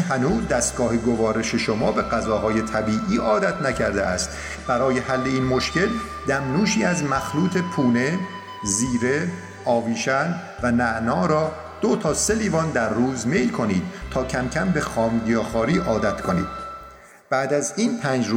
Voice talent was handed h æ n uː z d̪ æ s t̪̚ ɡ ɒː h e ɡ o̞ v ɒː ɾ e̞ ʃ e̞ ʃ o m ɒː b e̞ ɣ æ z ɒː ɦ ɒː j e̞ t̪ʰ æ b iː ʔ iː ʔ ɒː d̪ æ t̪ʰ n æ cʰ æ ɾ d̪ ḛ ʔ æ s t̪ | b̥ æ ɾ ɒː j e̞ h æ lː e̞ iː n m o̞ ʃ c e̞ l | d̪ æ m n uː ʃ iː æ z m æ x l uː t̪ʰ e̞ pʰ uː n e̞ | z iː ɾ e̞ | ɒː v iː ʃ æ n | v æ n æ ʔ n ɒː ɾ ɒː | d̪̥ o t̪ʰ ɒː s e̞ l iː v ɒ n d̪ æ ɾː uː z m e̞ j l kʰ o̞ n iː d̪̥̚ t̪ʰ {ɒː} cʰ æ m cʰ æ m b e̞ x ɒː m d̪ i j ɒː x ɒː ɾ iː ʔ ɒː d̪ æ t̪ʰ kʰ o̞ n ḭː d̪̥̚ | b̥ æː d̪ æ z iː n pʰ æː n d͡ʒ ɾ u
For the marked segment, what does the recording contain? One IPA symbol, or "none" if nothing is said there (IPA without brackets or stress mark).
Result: ɒː